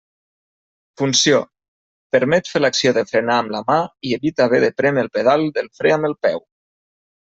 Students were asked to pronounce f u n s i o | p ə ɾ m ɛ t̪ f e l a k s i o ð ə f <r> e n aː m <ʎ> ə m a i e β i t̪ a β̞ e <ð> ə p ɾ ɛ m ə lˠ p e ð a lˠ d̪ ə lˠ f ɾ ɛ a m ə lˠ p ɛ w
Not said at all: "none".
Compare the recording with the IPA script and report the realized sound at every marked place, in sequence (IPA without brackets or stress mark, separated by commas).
ɾ, l, ð